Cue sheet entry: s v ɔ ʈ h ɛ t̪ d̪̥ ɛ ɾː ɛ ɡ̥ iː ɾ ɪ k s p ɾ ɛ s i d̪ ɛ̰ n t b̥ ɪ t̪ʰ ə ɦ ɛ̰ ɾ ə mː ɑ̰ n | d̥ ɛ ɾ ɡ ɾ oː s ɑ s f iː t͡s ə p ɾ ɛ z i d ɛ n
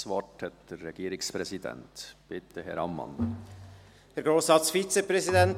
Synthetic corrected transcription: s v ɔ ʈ h ɛ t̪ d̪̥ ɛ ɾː ɛ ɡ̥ iː ɾ ɪ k s p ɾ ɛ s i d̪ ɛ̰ n t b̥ ɪ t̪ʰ ə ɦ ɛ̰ ɾ ɑ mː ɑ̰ n | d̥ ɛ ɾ ɡ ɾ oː s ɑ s f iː t͡s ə p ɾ ɛ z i d ɛ n